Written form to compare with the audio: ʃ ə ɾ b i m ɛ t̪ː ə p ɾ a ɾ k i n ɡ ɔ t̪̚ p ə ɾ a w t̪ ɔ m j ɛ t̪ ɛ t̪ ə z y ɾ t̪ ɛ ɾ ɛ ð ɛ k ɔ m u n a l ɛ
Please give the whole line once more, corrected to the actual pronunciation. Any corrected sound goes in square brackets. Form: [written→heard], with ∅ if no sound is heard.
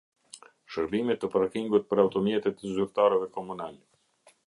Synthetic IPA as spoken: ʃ ə ɾ b i m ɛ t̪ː ə p ɾ a [ɾ→∅] k i [n→ŋ] ɡ [ɔ→u] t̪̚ p ə ɾ a w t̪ ɔ m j ɛ t̪ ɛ t̪ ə z y ɾ t̪ [ɛ→a] ɾ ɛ [ð→v] ɛ k ɔ m u n a l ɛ